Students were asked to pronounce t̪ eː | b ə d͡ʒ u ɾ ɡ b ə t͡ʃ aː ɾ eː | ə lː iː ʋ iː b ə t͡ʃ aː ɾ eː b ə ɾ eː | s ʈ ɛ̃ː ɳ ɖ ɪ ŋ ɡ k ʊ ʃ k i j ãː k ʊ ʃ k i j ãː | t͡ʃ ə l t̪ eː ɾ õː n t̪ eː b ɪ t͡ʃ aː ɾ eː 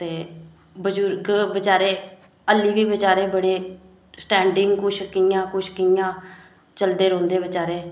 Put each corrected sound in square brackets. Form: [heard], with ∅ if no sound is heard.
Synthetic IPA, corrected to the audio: t̪ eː | b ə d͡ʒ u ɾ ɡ b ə t͡ʃ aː ɾ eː | ə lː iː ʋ iː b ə t͡ʃ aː ɾ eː b ə [ɽ] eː | s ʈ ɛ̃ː ɳ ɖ ɪ ŋ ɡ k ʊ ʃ k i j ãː k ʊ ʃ k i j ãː | t͡ʃ ə l [d̪] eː ɾ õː n [d̪] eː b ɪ t͡ʃ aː ɾ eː